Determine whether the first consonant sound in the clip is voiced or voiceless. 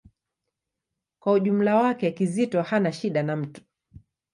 voiceless